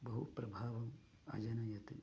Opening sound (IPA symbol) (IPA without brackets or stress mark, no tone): b